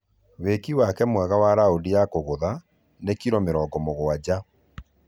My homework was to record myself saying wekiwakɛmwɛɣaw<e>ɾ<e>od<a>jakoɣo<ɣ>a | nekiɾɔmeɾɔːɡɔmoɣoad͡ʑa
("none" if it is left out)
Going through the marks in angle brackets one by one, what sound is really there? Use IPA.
a, a, i, ð

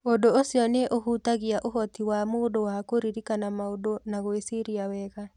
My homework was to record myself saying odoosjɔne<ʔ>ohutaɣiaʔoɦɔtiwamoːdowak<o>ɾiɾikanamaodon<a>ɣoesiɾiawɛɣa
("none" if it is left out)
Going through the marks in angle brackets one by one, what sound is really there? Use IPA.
ʔ, o, a

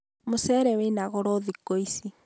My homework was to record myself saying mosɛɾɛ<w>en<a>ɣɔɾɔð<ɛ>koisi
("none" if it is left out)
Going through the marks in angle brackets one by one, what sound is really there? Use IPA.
w, a, i

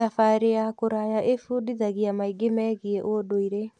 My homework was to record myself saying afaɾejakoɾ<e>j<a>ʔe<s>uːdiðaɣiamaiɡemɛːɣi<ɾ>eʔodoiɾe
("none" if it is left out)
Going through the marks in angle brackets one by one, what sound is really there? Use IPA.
a, a, f, none

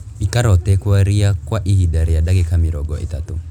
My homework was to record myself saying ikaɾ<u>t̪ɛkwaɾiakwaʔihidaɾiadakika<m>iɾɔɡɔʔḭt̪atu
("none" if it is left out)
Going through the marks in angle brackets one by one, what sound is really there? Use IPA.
ɔ, m

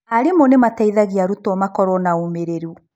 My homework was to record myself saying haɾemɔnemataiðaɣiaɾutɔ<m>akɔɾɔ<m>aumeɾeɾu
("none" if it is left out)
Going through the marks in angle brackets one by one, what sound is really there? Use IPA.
m, n

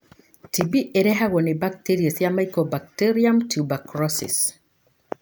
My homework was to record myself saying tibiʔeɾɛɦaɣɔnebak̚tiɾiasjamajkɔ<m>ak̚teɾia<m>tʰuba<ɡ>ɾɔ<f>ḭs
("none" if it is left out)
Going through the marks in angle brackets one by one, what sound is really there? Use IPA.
b, m, k, s

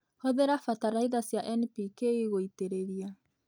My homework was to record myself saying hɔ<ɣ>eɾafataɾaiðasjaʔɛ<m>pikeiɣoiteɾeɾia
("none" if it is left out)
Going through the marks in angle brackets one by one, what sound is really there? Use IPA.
ð, n

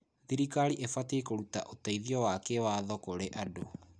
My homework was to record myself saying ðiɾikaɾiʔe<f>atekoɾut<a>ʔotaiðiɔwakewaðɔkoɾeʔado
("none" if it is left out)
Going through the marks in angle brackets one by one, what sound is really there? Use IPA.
f, a

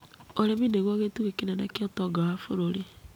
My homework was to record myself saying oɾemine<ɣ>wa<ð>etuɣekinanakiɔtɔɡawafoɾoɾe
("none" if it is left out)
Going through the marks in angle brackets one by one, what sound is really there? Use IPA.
ɣ, ɣ

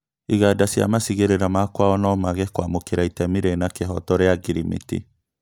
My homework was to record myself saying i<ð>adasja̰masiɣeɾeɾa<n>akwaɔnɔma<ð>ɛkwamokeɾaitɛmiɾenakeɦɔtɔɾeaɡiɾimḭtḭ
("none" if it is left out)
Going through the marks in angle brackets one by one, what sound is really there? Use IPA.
ɣ, m, ɣ

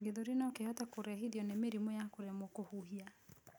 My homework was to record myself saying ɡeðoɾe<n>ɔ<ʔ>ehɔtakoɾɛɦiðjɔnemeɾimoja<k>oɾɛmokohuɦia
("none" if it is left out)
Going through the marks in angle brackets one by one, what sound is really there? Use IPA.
n, k, k

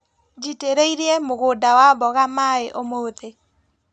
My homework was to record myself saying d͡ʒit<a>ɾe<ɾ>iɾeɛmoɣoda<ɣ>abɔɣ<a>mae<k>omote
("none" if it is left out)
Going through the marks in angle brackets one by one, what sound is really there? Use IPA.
e, none, w, a, ʔ

